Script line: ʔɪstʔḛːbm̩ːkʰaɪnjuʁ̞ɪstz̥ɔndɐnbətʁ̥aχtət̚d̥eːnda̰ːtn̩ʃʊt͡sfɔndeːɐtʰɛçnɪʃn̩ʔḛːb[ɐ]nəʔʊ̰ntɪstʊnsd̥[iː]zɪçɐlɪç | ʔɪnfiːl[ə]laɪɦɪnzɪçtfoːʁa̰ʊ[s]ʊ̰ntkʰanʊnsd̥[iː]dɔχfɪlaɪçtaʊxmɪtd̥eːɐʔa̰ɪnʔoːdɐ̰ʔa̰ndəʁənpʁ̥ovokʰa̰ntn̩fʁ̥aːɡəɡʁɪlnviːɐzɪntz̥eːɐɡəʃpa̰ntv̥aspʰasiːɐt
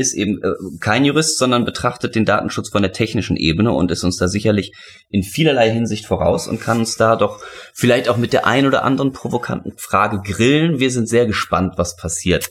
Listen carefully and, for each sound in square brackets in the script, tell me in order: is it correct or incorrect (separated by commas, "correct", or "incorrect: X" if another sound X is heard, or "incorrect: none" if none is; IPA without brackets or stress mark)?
incorrect: ə, incorrect: aː, incorrect: ɐ, correct, incorrect: aː